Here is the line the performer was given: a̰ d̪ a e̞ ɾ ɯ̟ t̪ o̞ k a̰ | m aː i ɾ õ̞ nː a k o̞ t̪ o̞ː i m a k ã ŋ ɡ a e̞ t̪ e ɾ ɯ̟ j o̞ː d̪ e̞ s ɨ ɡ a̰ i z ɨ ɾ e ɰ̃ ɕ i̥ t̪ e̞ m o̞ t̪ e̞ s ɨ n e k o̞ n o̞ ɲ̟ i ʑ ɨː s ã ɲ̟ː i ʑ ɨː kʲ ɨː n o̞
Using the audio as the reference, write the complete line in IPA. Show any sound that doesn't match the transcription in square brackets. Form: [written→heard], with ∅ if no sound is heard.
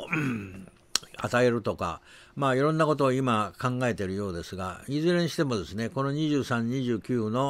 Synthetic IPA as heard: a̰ [d̪→t̪] a e̞ ɾ ɯ̟ t̪ o̞ k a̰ | m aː i ɾ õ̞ nː a k o̞ t̪ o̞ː i m a k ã ŋ ɡ a e̞ t̪ e ɾ ɯ̟ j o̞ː d̪ e̞ s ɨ ɡ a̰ i z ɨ ɾ e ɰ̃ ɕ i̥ t̪ e̞ m o̞ [t̪→d̪] e̞ s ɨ n e k o̞ n o̞ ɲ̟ i ʑ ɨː s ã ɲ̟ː i ʑ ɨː kʲ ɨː n o̞